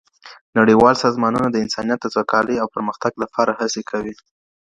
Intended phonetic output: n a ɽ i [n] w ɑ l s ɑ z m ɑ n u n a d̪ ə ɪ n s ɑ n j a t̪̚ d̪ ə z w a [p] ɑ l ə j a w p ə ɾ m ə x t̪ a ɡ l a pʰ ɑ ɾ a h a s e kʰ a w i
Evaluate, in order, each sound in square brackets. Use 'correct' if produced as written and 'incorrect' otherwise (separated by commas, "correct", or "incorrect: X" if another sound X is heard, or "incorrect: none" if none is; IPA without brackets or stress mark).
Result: incorrect: none, incorrect: k